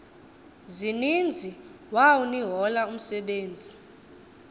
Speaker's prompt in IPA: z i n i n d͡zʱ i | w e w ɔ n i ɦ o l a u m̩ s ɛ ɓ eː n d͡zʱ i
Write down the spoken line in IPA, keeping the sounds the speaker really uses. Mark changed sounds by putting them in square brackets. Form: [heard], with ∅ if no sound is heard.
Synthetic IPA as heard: z i n i n d͡zʱ i | w [a] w [u] n i ɦ [ɔ] l a u m̩ s ɛ ɓ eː n d͡zʱ i